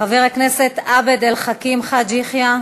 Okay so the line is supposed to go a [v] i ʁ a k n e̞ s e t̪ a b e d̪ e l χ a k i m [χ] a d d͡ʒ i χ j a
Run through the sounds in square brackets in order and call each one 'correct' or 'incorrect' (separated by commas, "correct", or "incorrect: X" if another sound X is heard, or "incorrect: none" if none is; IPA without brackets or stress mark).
correct, correct